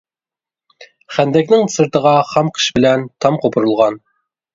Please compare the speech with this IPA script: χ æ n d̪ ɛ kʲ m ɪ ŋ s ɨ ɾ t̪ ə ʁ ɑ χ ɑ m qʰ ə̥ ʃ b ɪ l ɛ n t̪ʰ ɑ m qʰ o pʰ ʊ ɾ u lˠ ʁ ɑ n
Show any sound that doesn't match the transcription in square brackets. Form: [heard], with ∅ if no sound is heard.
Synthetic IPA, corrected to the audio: χ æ n d̪ ɛ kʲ [n] ɪ ŋ s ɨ ɾ t̪ ə ʁ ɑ χ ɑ m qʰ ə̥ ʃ b ɪ l ɛ n t̪ʰ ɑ m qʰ o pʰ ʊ ɾ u lˠ ʁ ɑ n

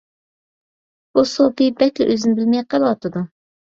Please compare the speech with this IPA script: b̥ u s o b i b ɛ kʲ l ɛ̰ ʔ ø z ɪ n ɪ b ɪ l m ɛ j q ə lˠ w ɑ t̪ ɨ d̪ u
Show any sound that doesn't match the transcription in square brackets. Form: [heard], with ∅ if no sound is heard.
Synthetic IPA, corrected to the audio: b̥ u s o [p] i b ɛ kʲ l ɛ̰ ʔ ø z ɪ n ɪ b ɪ l m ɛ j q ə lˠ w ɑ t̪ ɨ d̪ u

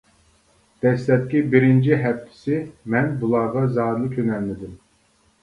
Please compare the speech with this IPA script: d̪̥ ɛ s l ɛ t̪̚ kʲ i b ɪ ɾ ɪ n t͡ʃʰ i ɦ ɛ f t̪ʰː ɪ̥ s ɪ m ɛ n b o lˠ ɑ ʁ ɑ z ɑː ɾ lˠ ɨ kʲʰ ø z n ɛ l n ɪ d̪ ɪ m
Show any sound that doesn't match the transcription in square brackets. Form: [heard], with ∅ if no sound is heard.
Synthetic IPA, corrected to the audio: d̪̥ ɛ s l ɛ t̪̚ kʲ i b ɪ ɾ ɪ n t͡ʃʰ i ɦ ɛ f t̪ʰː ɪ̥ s ɪ m ɛ n b [u] lˠ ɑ ʁ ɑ z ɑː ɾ lˠ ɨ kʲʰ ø [∅] n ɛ l n ɪ d̪ ɪ m

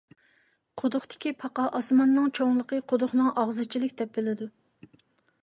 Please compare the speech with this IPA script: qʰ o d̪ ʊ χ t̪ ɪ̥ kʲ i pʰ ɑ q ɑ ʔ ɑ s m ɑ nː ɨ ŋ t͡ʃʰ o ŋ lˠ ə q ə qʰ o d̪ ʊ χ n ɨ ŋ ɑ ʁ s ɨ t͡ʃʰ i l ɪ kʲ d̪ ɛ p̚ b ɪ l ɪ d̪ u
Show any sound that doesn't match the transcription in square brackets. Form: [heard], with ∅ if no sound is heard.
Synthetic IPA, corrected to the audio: qʰ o d̪ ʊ χ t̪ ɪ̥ kʲ i pʰ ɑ q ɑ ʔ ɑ s m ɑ nː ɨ ŋ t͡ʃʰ o ŋ lˠ ə q ə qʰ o d̪ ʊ χ n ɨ ŋ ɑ ʁ [z] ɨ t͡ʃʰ i l ɪ kʲ d̪ ɛ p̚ b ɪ l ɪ d̪ u

